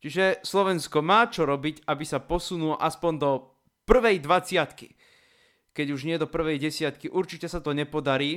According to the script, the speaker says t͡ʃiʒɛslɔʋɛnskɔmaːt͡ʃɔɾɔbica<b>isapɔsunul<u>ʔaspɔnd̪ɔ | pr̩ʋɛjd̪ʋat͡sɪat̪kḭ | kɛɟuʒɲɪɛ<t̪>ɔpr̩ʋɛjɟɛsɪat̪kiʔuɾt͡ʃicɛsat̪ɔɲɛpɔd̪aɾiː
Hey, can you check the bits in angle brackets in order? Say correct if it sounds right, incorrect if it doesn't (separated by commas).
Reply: correct, incorrect, incorrect